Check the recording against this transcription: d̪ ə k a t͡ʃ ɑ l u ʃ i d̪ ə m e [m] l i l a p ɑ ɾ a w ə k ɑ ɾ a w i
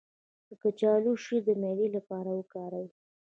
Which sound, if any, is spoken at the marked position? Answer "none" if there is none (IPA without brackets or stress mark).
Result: none